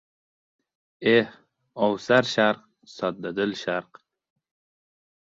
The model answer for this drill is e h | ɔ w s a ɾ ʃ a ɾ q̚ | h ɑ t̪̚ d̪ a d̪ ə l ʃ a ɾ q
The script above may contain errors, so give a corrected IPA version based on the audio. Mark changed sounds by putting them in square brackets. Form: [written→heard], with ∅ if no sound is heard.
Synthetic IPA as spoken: e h | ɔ w s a ɾ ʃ a ɾ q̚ | [h→s] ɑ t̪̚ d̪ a d̪ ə l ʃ a ɾ q